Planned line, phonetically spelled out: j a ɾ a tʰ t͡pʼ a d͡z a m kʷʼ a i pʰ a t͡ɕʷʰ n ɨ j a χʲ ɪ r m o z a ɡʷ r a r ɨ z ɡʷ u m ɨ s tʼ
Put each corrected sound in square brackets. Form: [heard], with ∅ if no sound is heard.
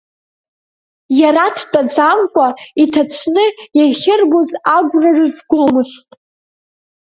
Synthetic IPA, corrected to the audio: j a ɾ a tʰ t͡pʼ a d͡z a m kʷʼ a i [tʰ] a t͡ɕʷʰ n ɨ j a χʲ ɪ r [b] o z a ɡʷ r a r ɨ z ɡʷ [o] m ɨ s tʼ